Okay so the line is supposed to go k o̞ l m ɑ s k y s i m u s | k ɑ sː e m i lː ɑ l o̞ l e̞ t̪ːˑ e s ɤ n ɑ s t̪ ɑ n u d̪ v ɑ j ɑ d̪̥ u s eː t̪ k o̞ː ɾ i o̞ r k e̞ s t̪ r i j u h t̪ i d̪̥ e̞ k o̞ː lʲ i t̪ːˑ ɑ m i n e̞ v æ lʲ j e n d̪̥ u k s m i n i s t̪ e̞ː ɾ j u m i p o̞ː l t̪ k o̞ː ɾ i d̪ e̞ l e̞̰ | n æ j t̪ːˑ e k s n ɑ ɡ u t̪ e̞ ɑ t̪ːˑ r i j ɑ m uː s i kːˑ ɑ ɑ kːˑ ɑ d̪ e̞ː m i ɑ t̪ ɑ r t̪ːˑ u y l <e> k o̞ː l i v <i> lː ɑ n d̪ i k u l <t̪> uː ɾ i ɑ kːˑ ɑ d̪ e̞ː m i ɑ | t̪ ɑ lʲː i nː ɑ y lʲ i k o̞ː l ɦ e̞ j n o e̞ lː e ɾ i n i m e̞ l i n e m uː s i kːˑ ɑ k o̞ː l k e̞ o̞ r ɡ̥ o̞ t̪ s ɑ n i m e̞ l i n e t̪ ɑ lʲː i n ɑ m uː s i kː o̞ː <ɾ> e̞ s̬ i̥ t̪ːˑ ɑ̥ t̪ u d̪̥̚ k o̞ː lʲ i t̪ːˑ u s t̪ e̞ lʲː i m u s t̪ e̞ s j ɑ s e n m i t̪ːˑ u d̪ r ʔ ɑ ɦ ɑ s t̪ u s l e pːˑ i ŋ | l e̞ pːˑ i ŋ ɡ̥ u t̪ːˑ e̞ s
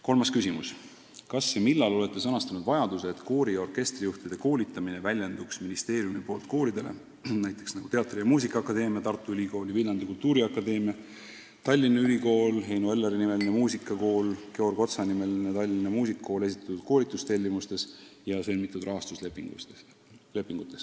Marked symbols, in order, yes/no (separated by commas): no, yes, yes, no